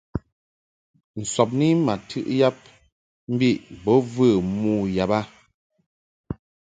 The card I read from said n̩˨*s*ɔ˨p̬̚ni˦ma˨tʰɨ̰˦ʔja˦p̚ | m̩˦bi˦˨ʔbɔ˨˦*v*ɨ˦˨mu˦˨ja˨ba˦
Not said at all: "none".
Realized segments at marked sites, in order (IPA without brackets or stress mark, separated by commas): s, v